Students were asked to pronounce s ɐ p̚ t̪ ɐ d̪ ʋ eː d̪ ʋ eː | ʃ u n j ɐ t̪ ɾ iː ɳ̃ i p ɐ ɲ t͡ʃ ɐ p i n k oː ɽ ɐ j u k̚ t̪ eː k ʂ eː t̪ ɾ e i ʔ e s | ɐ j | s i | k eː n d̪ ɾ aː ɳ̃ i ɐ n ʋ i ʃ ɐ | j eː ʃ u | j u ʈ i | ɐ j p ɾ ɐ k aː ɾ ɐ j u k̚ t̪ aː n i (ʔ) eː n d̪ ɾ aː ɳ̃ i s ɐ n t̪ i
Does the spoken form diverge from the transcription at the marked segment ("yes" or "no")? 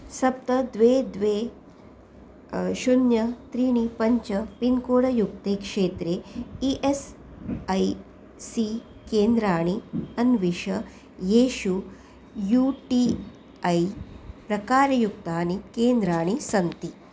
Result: yes